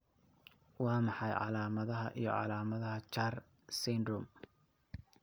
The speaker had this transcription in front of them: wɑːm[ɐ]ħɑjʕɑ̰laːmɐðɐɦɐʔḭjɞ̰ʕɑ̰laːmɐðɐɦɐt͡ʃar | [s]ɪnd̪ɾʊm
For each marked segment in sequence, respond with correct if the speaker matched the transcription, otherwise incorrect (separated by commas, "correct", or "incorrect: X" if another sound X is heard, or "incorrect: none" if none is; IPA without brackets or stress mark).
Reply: incorrect: ɑ, correct